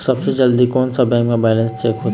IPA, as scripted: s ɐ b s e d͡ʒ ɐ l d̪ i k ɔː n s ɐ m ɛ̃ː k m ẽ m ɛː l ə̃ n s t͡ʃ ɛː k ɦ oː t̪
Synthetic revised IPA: s ɐ b s e d͡ʒ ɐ l d̪ i k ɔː n s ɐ b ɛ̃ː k m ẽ b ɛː l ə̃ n s t͡ʃ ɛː k ɦ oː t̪